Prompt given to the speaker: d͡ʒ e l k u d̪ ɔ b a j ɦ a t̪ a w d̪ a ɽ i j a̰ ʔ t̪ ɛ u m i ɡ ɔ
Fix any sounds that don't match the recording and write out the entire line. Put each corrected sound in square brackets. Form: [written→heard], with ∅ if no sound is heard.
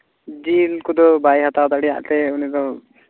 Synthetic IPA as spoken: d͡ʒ [e→i] l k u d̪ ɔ b a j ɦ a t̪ a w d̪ a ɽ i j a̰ ʔ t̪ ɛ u [m→n] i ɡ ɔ